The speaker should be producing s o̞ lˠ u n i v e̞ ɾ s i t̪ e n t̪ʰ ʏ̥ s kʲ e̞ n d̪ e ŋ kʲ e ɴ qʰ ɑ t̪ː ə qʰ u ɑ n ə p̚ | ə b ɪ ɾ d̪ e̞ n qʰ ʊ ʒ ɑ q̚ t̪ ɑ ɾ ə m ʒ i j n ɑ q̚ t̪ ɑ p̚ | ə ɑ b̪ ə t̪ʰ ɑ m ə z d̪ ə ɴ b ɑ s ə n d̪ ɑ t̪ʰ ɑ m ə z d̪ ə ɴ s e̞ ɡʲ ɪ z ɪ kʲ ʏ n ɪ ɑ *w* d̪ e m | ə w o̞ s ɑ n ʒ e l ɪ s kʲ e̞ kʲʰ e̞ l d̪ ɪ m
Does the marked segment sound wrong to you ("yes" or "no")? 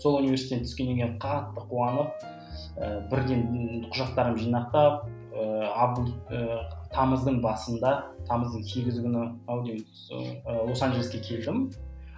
no